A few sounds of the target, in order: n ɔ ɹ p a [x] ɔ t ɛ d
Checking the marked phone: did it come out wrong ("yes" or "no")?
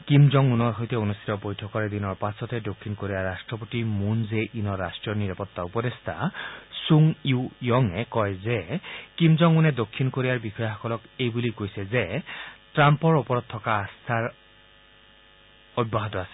yes